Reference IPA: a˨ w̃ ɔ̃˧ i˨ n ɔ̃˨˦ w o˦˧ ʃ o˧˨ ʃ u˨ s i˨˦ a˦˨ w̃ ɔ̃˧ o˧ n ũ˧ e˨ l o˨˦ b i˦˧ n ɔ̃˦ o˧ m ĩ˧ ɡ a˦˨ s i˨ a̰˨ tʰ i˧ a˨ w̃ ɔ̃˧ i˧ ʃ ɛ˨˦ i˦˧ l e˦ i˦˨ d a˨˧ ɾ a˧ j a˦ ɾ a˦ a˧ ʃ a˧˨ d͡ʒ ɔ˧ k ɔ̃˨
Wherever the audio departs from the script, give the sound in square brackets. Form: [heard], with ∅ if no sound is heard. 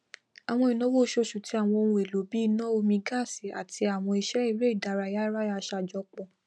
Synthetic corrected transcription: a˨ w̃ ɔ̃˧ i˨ n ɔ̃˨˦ w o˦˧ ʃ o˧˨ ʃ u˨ [t] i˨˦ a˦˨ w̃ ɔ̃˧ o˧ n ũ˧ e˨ l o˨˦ b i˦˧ n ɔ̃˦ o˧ m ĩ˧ ɡ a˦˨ s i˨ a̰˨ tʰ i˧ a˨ w̃ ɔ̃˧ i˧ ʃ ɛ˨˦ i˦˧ [ɾ] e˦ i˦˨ d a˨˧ ɾ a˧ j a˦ ɾ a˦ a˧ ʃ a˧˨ d͡ʒ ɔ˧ [k͡p] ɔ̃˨